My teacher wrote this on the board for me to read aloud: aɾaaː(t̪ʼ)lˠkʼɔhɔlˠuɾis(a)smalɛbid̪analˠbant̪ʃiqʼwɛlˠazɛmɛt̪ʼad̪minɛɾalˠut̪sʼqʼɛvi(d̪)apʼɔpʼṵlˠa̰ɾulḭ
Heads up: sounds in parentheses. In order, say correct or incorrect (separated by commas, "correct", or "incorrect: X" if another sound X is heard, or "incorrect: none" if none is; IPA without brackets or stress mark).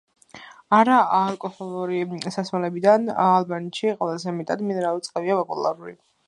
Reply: incorrect: none, correct, incorrect: none